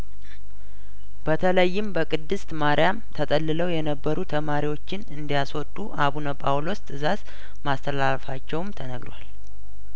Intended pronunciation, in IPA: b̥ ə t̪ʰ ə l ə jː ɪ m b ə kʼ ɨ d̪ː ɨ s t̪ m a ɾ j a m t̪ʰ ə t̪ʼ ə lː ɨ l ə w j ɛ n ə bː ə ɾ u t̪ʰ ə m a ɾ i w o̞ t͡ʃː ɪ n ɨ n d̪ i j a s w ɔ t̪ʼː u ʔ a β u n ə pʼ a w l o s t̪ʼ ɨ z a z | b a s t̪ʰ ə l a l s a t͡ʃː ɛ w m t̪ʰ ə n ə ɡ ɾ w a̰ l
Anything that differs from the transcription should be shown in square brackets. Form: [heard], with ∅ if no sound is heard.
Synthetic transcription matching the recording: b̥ ə t̪ʰ ə l ə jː ɪ m b ə kʼ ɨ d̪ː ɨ s t̪ m a ɾ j a m t̪ʰ ə t̪ʼ ə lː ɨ l ə w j ɛ n ə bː ə ɾ u t̪ʰ ə m a ɾ i w o̞ t͡ʃː ɪ n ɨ n d̪ i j a s w ɔ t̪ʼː u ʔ a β u n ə pʼ a w l o s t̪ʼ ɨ z a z | [m] a s t̪ʰ ə l a l [f] a t͡ʃː ɛ w m t̪ʰ ə n ə ɡ ɾ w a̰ l